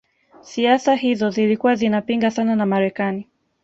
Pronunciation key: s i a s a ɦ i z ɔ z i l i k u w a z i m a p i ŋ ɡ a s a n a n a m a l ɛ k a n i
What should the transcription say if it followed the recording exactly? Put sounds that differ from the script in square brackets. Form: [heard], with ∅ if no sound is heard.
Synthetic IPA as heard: s i a s a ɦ i z ɔ z i l i k u w a z i [n] a p i ŋ ɡ a s a n a n a m a [ɾ] ɛ k a n i

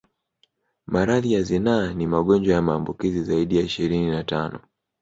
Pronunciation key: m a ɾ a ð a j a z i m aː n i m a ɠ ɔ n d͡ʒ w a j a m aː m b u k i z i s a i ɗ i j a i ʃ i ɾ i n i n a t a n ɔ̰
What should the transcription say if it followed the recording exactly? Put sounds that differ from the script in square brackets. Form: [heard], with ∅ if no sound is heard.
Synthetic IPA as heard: m a ɾ a ð [i] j a z i [n] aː n i m a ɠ ɔ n d͡ʒ w a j a m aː m b u k i z i [z] a i ɗ i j a i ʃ i ɾ i n i n a t a n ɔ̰

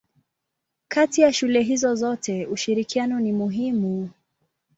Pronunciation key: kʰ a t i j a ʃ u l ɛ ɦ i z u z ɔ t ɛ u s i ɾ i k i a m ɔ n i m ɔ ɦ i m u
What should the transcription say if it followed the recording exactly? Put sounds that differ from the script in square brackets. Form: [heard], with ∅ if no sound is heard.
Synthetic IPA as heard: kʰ a t i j a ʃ u l ɛ ɦ i z [ɔ] z ɔ t ɛ u [ʃ] i ɾ i k i a [n] ɔ n i m [u] ɦ i m u

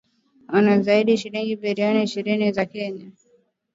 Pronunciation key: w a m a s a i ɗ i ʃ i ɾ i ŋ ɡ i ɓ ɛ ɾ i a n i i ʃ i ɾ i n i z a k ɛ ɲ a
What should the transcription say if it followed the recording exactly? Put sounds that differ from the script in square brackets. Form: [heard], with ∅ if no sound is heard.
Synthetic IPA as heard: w a [n] a [z] a i ɗ i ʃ i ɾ i ŋ ɡ i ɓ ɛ ɾ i a n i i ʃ i ɾ i n i z a k ɛ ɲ a

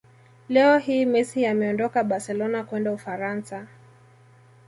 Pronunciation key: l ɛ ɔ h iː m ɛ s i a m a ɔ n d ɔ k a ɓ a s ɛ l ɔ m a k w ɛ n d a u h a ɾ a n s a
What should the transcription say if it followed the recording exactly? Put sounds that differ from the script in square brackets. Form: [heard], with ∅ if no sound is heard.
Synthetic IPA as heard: l ɛ ɔ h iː m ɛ s i a m [ɛ] ɔ n d ɔ k a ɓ a s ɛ l ɔ [n] a k w ɛ n d a u [f] a ɾ a n s a

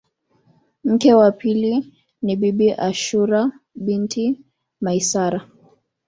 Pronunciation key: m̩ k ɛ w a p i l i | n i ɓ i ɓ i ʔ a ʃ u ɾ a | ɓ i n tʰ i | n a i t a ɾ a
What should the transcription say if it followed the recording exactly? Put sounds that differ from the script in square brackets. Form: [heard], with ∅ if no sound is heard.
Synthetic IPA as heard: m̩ k ɛ w a p i l i | n i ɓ i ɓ i ʔ a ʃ u ɾ a | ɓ i n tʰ i | [m] a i [s] a ɾ a

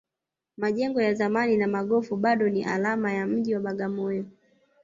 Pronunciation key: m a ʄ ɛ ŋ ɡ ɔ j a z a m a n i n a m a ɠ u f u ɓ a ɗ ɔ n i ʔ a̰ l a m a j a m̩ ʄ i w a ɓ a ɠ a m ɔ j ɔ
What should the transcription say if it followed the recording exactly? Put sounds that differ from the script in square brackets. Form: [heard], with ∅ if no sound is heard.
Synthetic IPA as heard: m a ʄ ɛ ŋ ɡ ɔ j a z a m a n i n a m a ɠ [ɔ] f u ɓ a ɗ ɔ n i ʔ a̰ l a m a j a m̩ ʄ i w a ɓ a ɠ a m ɔ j ɔ

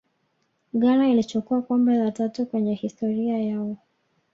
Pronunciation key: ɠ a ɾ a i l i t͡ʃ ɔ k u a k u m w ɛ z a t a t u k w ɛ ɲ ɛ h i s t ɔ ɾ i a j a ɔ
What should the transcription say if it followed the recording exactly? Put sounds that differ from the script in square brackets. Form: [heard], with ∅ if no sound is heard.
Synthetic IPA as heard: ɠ a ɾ a i l i t͡ʃ ɔ k u a k [ɔ] m [b] ɛ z a t a t u k w ɛ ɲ ɛ h i s t ɔ ɾ i a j a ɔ

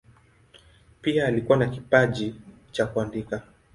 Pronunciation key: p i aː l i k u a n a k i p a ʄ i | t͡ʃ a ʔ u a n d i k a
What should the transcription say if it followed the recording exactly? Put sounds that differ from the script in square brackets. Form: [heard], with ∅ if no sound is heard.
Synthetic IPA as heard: p i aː l i k u a n a k i p a ʄ i | t͡ʃ a [k] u a n d i k a

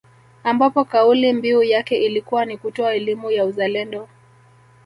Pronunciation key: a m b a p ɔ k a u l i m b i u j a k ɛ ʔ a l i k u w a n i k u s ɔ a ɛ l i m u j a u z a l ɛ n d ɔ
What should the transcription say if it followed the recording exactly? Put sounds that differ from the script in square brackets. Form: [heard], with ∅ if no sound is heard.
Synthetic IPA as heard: a m b a p ɔ k a u l i m b i u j a k ɛ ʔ [i] l i k u w a n i k u [t] ɔ a ɛ l i m u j a u z a l ɛ n d ɔ

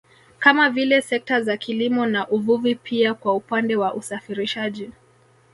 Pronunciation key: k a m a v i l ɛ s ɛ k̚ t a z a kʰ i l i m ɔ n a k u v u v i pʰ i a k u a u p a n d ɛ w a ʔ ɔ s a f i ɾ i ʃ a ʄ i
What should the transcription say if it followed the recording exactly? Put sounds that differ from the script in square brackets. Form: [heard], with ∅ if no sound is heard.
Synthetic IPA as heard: k a m a v i l ɛ s ɛ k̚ t a z a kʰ i l i m ɔ n a [ʔ] u v u v i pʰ i a k [w] a u p a n d ɛ w a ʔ [u] s a f i ɾ i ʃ a ʄ i

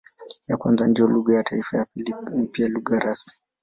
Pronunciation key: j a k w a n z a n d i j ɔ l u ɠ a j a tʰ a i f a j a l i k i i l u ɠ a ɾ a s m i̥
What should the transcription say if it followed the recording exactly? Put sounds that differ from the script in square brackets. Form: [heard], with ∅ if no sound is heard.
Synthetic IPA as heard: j a k w a n z a n d i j ɔ l u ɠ a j a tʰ a i f a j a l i [p] i [a] l u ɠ a ɾ a s m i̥

